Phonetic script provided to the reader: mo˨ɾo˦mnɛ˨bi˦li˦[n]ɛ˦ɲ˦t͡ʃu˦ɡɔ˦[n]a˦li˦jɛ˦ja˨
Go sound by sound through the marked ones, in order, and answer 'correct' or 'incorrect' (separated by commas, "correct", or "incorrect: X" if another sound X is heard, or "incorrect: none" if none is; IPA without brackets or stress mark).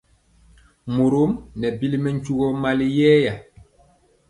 incorrect: m, incorrect: m